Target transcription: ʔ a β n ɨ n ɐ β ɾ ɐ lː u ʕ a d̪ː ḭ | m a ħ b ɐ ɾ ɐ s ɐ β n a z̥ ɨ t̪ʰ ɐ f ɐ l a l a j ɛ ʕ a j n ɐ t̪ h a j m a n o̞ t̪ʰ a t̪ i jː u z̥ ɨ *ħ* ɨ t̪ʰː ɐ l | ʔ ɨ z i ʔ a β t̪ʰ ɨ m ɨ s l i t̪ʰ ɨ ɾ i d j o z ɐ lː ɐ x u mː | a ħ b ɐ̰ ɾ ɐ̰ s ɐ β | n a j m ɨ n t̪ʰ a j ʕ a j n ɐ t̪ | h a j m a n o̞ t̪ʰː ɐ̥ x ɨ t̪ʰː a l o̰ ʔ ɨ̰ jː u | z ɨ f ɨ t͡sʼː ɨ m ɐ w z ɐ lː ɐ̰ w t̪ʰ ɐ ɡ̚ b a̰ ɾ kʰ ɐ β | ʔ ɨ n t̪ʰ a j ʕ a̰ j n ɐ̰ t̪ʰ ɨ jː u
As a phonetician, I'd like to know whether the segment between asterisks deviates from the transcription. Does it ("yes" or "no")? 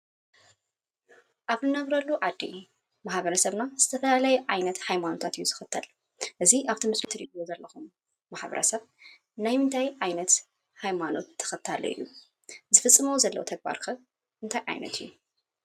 yes